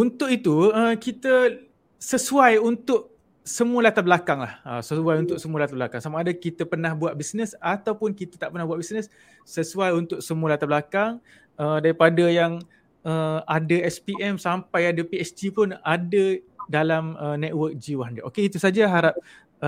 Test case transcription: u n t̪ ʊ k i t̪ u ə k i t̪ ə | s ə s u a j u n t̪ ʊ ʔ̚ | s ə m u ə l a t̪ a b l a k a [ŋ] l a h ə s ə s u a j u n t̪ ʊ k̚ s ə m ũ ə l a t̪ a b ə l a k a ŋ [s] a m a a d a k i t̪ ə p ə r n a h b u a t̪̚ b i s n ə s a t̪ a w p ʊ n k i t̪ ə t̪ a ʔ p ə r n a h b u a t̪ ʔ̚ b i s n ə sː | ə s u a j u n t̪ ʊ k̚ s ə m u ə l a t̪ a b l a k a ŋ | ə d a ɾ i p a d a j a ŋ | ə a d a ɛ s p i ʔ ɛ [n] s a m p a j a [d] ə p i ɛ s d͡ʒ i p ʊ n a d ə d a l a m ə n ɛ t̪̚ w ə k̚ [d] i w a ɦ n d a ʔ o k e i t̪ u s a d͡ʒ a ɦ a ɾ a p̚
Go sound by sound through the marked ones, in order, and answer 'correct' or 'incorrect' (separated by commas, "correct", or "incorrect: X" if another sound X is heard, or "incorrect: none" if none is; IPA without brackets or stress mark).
correct, correct, incorrect: m, correct, incorrect: d͡ʒ